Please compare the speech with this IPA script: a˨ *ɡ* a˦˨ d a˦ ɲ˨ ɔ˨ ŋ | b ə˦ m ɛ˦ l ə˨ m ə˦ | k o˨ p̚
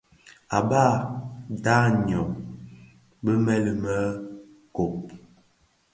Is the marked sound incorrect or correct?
incorrect